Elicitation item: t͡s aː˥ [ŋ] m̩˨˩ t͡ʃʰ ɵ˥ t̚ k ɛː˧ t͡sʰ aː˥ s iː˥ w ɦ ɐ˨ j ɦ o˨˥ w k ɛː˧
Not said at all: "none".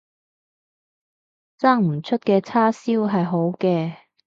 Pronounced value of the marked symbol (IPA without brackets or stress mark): ŋ